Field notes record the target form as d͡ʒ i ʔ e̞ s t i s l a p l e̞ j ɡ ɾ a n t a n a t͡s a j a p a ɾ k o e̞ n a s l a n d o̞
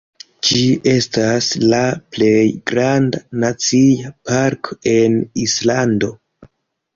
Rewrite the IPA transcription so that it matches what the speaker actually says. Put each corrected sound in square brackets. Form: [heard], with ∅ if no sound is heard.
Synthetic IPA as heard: d͡ʒ i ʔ e̞ s t [a] s l a p l e̞ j ɡ ɾ a n [d] a n a t͡s [i] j a p a ɾ k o e̞ n [i] s l a n d o̞